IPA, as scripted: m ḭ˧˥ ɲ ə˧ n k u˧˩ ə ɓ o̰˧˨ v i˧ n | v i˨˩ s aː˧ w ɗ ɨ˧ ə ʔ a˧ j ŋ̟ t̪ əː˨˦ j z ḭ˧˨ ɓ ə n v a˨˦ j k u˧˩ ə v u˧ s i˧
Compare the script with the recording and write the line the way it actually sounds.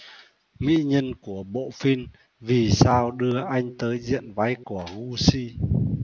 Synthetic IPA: m ḭ˧˥ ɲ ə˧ n k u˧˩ ə ɓ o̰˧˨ f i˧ n | v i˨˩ s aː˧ w ɗ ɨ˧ ə ʔ a˧ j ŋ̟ t̪ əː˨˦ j z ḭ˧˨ ə n v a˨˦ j k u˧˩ ə ɣ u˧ s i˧